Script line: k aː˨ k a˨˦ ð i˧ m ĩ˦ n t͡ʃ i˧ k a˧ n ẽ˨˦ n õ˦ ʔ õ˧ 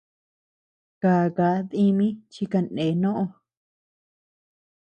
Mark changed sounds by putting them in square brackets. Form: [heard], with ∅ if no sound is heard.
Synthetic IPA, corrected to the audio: k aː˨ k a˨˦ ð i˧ m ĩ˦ [∅] t͡ʃ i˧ k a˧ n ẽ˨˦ n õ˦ ʔ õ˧